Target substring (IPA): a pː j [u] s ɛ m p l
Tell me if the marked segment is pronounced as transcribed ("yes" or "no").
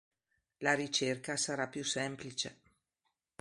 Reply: yes